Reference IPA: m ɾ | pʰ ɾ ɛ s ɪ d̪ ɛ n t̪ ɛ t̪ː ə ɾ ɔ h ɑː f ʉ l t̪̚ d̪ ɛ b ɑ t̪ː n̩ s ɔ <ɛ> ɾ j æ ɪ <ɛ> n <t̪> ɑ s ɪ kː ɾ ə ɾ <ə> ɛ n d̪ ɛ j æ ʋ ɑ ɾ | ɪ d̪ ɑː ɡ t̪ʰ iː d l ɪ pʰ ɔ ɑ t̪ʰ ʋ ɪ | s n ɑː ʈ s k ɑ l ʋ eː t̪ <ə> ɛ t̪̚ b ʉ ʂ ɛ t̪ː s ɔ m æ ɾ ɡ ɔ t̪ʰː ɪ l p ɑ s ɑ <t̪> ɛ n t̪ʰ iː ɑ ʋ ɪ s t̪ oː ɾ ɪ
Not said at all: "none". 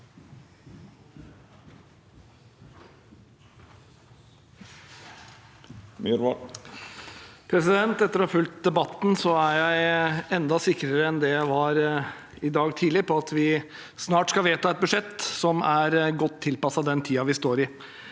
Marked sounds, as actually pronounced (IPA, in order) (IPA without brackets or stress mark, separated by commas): æ, ɛ, d̪, ə, ɑ, d̪